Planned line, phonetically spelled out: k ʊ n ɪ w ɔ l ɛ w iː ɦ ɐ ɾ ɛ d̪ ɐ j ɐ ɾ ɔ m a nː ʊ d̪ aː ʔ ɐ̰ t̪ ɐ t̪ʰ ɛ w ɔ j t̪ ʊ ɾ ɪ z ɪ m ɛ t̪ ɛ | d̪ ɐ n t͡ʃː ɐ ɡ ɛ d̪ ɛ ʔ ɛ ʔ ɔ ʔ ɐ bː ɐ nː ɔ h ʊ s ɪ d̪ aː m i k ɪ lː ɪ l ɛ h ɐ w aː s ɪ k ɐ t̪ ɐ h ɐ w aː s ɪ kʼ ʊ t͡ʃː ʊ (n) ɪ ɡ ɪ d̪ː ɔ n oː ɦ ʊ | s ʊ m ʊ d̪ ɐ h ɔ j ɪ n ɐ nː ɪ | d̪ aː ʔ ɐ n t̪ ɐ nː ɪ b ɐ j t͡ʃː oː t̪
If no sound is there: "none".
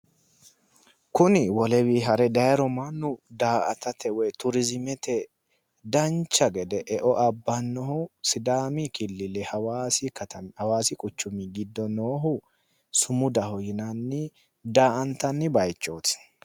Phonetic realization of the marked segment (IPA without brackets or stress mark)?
m